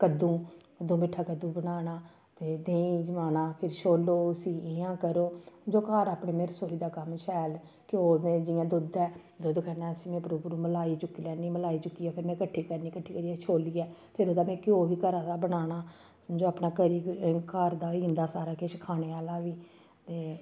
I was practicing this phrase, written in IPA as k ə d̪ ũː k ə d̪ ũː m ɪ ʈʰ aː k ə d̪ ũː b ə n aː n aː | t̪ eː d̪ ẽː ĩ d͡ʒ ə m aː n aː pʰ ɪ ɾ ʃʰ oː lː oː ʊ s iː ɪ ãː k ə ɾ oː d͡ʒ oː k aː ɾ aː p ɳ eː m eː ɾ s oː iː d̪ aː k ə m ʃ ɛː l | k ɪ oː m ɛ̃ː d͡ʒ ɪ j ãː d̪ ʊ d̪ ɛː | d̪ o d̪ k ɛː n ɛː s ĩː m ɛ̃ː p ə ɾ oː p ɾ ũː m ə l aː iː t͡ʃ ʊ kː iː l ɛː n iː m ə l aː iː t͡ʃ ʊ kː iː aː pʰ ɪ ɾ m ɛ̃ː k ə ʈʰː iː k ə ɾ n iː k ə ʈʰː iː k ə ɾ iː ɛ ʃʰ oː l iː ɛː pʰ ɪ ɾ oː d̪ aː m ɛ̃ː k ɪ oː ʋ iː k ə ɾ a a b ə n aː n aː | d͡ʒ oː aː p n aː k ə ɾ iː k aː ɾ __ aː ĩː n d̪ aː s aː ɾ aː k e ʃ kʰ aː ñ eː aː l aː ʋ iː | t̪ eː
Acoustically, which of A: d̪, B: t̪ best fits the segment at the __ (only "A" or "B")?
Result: A